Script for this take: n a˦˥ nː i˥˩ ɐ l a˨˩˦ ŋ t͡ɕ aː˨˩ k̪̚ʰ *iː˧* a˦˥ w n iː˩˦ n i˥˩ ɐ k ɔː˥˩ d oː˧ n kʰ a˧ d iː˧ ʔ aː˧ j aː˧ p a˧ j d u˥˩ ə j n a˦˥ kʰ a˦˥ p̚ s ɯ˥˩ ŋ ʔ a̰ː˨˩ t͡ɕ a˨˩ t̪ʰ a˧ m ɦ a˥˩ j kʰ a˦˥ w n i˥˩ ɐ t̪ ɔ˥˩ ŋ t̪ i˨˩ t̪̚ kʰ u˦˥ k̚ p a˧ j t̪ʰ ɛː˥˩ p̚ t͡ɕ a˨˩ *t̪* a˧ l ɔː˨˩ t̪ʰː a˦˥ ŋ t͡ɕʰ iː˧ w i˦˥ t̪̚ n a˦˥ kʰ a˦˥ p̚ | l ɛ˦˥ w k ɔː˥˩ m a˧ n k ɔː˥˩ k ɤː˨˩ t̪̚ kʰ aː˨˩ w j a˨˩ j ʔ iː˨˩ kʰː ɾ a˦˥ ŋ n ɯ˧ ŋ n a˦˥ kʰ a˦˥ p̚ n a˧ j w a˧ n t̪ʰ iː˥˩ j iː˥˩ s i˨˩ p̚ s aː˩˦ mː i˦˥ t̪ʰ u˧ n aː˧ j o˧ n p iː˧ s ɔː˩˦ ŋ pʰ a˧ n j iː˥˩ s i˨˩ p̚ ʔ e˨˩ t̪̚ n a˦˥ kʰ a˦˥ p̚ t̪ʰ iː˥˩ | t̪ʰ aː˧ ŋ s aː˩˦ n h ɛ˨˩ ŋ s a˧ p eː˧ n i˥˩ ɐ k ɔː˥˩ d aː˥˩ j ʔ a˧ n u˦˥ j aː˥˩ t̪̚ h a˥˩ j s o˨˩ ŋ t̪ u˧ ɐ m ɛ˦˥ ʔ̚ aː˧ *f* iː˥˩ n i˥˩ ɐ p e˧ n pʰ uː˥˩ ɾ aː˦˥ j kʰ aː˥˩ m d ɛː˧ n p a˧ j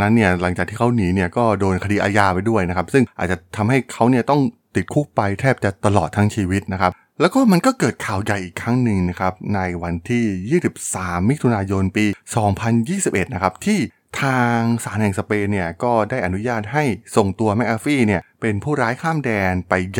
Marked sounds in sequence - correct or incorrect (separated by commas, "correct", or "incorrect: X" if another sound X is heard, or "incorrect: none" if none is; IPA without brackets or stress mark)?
incorrect: iː˥˩, correct, correct